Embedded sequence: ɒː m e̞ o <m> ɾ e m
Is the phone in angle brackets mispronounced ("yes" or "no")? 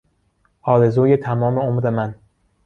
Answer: no